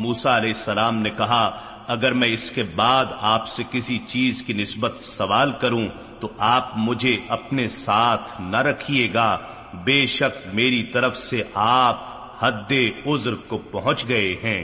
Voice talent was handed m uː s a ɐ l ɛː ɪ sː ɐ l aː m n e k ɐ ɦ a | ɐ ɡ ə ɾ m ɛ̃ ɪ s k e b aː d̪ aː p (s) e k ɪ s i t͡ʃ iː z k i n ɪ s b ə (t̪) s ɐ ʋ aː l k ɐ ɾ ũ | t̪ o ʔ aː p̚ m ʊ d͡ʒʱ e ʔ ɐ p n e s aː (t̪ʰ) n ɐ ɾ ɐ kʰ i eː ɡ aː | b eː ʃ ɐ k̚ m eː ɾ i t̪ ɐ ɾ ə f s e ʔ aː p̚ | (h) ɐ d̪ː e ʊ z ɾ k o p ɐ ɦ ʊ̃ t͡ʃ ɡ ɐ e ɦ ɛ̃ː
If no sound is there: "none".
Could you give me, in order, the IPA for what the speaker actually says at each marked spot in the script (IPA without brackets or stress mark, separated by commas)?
s, t̪, t̪ʰ, h